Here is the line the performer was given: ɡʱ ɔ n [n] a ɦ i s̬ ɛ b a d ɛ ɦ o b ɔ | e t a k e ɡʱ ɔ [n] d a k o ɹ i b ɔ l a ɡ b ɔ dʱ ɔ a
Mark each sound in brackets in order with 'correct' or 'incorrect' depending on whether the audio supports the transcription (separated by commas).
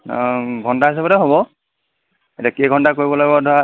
incorrect, correct